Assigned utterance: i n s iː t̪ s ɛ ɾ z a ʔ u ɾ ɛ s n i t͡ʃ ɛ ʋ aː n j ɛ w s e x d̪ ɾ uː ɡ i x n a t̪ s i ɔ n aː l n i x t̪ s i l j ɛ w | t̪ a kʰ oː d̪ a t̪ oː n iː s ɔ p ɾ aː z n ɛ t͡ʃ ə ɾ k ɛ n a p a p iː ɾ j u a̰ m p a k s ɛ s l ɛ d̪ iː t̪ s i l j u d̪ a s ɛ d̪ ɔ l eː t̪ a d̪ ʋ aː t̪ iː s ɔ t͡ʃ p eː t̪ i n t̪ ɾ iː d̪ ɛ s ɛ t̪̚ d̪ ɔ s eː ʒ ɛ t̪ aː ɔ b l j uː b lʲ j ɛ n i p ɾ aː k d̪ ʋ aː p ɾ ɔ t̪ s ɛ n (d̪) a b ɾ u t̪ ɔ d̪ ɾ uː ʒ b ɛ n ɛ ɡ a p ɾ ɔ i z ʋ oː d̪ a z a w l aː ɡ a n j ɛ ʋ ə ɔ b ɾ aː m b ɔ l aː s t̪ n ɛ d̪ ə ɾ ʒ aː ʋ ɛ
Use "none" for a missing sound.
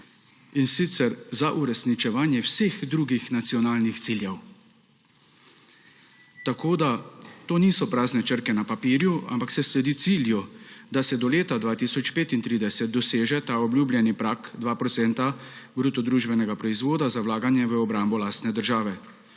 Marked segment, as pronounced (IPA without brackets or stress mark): t̪